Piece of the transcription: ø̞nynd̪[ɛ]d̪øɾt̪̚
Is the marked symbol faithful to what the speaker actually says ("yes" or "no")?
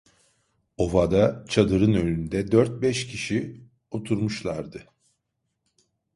yes